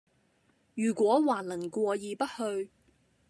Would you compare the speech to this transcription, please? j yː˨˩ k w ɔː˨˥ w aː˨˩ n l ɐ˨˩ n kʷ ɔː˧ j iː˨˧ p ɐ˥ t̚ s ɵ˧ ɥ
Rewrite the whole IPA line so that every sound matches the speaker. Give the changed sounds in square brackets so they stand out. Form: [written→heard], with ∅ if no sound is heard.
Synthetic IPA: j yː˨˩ k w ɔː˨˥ w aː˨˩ n l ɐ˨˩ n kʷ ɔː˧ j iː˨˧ p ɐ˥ t̚ [s→h] ɵ˧ ɥ